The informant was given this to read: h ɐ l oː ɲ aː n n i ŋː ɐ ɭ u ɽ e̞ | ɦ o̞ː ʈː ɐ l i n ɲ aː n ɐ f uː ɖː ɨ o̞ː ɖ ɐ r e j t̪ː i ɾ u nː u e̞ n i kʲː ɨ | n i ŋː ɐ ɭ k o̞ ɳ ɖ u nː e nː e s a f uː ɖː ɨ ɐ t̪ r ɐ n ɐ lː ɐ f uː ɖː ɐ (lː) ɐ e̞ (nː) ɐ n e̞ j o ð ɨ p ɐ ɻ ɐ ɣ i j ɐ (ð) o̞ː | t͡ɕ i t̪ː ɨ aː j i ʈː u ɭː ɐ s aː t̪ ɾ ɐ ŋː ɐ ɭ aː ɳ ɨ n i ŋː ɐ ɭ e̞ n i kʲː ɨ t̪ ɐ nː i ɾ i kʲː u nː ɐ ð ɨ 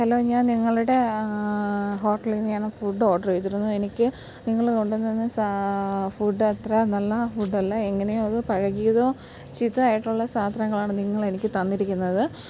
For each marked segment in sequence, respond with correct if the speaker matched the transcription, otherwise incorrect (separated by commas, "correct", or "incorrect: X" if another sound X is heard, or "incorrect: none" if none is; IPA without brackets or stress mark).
correct, incorrect: ŋː, correct